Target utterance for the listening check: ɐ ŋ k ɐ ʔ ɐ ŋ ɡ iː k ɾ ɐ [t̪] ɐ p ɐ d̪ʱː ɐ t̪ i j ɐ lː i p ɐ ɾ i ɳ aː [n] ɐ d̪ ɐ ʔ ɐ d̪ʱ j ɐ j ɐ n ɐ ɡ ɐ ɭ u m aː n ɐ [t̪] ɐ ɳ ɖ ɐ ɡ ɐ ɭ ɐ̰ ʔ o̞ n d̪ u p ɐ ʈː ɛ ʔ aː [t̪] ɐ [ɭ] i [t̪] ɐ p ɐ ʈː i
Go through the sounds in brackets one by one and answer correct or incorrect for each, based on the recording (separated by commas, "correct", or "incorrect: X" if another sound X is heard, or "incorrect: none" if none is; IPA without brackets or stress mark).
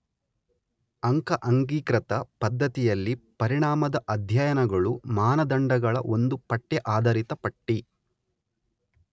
correct, incorrect: m, incorrect: d̪, incorrect: d̪, incorrect: ɾ, correct